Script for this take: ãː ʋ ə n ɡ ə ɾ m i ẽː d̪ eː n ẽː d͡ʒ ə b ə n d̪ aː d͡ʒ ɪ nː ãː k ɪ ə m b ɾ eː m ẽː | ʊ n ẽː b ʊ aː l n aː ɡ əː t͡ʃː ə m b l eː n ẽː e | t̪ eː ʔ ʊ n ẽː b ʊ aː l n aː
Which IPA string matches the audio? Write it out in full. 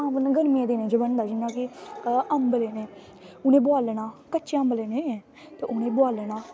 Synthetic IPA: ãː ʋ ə n ɡ ə ɾ m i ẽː d̪ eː n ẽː d͡ʒ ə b ə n d̪ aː d͡ʒ ɪ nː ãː k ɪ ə m b l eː n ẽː | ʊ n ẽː b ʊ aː l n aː k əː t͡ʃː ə m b l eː n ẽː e | t̪ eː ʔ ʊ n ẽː b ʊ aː l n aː